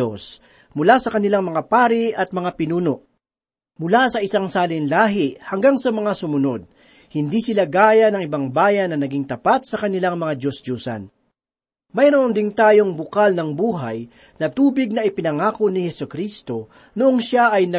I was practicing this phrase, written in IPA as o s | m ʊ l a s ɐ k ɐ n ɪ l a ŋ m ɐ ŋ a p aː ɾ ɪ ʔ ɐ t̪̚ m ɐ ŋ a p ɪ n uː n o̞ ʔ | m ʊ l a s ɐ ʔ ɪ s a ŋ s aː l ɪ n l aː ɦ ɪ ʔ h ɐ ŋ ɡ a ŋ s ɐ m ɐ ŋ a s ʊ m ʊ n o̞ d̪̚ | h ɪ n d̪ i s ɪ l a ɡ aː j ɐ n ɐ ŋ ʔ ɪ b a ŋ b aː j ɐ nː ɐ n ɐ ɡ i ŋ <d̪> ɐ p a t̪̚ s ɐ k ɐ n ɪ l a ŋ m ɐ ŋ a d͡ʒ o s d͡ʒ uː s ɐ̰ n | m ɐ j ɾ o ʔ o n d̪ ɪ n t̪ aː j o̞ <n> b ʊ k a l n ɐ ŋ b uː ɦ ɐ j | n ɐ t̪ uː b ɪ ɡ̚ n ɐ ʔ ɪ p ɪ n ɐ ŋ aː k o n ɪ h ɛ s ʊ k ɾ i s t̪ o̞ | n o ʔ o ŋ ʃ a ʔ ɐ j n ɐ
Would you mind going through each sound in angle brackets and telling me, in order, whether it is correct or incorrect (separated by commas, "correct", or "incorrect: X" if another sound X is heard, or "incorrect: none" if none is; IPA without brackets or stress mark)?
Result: incorrect: t̪, incorrect: ŋ